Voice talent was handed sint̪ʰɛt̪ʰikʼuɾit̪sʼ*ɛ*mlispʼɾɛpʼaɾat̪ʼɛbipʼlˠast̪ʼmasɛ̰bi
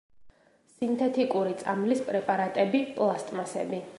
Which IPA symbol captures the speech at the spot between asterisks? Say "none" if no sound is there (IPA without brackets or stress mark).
a